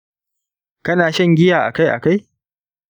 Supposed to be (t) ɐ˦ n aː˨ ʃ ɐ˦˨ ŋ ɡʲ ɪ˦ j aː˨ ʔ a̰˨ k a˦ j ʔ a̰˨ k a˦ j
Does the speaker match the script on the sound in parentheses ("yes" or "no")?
no